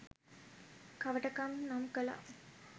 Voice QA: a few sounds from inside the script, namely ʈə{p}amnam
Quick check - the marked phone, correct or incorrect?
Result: incorrect